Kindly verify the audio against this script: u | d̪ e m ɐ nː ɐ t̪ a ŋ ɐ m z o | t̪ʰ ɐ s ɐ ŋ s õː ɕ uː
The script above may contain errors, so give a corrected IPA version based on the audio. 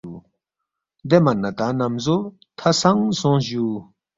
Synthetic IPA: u | d̪ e m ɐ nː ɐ t̪ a n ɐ m z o | t̪ʰ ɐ s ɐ ŋ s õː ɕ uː

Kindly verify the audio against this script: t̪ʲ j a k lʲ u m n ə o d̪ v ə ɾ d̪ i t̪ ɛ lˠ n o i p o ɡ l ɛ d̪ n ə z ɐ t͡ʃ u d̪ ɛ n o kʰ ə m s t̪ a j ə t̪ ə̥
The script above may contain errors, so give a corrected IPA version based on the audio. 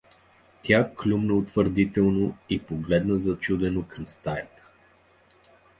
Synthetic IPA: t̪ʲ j a k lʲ u m n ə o t̪ v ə ɾ d̪ i t̪ ɛ lˠ n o i p o ɡ l ɛ d̪ n ə z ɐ t͡ʃ u d̪ ɛ n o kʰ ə m s t̪ a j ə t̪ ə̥

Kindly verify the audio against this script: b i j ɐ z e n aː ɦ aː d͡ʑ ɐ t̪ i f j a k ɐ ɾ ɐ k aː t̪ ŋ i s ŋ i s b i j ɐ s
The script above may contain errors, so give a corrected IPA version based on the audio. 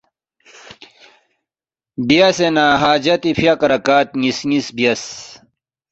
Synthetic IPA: b i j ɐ s e n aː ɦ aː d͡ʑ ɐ t̪ i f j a k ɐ ɾ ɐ k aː t̪ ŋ i s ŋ i s b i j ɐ s

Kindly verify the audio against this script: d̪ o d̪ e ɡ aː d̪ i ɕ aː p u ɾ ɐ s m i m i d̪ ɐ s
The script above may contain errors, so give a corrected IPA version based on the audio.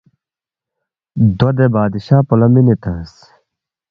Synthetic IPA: d̪ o d̪ e b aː d̪ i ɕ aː p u l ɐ m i n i t̪ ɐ s

